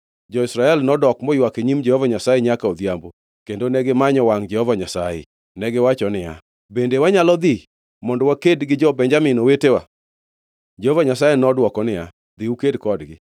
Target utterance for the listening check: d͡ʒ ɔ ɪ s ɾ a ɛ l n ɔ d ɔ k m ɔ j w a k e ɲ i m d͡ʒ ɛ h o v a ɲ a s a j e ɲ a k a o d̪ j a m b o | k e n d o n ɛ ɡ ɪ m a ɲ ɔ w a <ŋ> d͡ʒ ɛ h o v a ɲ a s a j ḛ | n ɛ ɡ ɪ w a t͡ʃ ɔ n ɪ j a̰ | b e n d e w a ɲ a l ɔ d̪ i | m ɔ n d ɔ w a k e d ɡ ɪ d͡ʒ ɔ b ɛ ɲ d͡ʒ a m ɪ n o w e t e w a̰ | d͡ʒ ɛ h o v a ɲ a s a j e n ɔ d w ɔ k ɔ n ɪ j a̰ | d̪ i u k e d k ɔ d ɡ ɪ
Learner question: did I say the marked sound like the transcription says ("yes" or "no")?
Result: yes